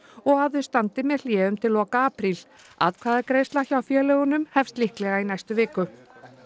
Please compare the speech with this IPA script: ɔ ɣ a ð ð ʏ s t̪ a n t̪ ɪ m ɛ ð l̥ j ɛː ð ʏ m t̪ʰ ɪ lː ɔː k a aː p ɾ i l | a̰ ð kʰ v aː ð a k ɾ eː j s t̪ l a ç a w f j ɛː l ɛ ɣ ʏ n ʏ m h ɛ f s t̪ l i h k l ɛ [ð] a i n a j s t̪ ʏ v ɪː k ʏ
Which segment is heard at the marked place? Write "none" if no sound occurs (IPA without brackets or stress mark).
ɣ